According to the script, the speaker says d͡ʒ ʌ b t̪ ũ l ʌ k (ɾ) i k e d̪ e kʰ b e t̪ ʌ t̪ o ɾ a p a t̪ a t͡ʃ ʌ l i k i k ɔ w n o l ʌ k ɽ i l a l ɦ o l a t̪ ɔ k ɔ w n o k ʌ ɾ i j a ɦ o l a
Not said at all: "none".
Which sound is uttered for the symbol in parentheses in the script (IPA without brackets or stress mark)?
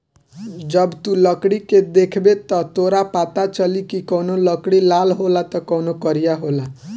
ɽ